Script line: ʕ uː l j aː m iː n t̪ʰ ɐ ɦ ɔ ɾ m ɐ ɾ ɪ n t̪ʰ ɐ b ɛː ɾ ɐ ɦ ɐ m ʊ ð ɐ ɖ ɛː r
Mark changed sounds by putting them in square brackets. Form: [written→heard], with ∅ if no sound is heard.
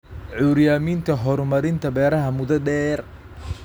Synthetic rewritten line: ʕ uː [l→ɾ] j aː m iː n t̪ʰ ɐ ɦ ɔ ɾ m ɐ ɾ ɪ n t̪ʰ ɐ b ɛː ɾ ɐ ɦ ɐ m ʊ ð ɐ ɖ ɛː r